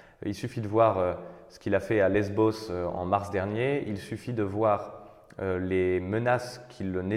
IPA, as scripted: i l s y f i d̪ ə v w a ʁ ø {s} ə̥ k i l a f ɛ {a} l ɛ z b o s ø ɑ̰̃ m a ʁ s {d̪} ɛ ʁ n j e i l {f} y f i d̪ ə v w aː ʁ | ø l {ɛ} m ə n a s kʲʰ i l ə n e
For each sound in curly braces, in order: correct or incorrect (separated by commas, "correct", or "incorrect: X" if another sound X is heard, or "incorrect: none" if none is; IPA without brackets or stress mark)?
correct, correct, correct, incorrect: s, incorrect: e